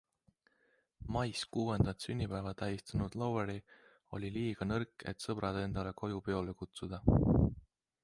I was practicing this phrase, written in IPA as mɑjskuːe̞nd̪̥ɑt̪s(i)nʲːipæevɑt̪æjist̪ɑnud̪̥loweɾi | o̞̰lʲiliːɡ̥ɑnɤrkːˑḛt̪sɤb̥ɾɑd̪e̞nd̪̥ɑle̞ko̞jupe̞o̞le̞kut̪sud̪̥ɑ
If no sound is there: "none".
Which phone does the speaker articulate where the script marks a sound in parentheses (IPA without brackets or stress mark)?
y